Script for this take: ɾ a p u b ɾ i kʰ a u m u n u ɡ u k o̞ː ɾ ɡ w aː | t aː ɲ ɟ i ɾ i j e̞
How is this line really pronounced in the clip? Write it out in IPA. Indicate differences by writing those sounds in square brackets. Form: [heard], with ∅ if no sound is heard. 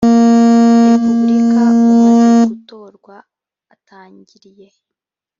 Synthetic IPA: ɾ [e] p u b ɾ i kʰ a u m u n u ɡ u [t] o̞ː ɾ ɡ w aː | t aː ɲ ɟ i ɾ i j e̞